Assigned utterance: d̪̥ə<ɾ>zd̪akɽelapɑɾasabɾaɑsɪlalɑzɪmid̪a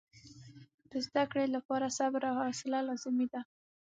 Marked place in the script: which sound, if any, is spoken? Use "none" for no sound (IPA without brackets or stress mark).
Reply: none